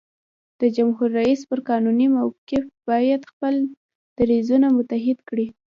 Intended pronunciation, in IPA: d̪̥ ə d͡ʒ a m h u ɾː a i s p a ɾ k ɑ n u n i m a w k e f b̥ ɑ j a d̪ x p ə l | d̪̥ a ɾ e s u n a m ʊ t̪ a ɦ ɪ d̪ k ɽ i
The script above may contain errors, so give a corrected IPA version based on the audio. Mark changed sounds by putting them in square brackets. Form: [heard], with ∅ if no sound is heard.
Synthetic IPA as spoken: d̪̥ ə d͡ʒ a m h u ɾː a i s p [ə] ɾ k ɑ n u n i m a w k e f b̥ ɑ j a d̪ x p ə l | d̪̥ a ɾ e [z] u n a m ʊ t̪ a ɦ ɪ d̪ k ɽ i